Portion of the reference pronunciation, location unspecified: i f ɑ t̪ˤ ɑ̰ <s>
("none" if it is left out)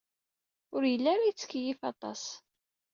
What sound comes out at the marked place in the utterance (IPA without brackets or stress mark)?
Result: s